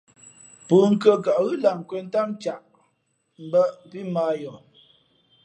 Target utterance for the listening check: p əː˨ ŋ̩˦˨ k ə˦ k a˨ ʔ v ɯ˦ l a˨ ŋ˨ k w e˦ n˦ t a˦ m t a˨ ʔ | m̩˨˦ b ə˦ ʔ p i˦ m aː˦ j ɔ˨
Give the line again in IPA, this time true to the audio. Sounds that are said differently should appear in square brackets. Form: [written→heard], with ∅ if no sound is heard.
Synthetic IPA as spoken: p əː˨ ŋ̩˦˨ k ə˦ k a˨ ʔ [v→ɣ] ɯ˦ l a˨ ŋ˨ k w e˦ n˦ t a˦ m [t→t͡ʃ] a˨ ʔ | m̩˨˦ b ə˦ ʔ p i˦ m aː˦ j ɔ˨

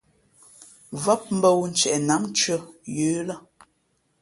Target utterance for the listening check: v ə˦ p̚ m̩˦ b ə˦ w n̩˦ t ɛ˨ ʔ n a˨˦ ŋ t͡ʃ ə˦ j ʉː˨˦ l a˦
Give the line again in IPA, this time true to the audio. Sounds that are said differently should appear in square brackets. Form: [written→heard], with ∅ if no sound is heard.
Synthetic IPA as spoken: v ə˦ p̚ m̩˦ b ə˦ w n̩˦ [t→t͡ʃ] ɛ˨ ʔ n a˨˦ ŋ t͡ʃ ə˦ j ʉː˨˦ l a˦

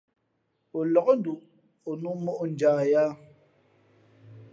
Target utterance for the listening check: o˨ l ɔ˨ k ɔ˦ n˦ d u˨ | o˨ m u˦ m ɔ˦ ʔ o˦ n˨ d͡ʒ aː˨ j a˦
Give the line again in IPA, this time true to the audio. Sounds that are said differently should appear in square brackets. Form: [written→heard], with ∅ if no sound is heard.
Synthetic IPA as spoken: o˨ l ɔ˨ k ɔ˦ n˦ d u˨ | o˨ [m→n] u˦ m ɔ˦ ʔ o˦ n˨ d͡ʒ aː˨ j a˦

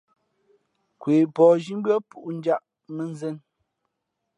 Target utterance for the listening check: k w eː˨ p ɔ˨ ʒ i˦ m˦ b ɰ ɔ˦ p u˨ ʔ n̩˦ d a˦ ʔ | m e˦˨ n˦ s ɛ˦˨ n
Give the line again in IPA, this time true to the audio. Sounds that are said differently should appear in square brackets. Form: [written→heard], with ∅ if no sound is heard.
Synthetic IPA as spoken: k w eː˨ p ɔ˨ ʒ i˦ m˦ b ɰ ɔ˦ p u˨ ʔ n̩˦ [d→d͡ʒ] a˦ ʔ | m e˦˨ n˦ [s→z] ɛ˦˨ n

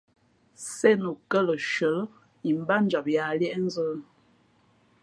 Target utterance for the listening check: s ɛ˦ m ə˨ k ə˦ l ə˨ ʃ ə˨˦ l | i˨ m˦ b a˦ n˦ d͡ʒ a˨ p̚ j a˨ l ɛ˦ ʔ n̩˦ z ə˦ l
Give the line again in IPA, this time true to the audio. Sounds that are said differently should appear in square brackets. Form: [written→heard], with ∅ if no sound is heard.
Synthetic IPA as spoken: s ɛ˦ [m→n] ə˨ k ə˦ l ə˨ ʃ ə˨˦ l | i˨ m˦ b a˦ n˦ d͡ʒ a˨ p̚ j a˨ l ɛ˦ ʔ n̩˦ z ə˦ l

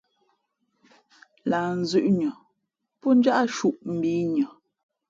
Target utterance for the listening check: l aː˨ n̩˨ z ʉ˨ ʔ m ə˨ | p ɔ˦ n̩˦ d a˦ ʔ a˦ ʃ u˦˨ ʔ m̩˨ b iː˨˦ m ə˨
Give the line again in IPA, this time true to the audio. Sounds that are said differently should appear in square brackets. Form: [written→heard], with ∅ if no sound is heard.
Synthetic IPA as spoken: l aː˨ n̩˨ z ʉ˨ ʔ [m→ɲ] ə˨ | p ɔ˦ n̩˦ [d→d͡ʒ] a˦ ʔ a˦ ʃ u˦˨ ʔ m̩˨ b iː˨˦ [m→ɲ] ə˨

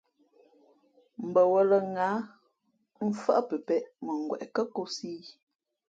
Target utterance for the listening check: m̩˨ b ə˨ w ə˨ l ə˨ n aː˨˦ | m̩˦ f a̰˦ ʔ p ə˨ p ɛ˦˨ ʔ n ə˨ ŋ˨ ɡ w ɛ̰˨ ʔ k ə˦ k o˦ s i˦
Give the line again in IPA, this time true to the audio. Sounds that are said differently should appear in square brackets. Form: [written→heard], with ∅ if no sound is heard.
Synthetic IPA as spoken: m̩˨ b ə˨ w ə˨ l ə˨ [n→ŋ] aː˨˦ | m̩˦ f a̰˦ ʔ p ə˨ p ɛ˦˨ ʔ [n→m] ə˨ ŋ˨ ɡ w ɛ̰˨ ʔ k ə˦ k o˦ s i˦

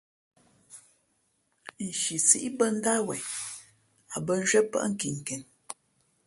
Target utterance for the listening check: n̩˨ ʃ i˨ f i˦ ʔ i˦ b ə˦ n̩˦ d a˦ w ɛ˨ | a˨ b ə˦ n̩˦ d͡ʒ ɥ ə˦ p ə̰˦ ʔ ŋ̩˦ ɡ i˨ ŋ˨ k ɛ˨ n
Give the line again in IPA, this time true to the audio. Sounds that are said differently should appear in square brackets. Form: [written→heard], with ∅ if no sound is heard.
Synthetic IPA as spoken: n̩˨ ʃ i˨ [f→s] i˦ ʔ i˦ b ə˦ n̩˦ d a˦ w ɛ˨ | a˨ b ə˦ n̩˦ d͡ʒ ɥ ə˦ p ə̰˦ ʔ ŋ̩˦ [ɡ→k] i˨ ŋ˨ k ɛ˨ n

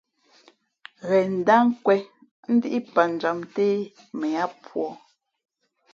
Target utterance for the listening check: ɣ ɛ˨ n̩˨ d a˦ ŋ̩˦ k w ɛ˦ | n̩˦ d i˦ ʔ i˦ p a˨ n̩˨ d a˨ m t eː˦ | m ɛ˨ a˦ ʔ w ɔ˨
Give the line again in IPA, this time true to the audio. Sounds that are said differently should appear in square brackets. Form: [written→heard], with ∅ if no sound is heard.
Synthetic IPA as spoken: ɣ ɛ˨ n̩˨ d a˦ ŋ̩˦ k w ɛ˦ | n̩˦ d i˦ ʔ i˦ p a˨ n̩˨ [d→d͡ʒ] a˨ m t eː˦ | m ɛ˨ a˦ [ʔ→p] w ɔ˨

